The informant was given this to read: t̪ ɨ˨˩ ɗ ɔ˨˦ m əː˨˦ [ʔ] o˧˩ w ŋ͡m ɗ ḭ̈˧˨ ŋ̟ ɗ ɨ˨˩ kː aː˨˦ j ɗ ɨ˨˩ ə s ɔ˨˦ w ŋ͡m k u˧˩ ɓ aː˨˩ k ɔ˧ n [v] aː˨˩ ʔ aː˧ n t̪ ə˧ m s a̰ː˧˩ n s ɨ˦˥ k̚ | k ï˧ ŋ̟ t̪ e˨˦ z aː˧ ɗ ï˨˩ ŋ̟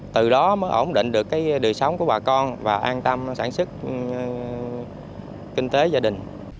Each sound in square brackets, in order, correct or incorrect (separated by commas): correct, correct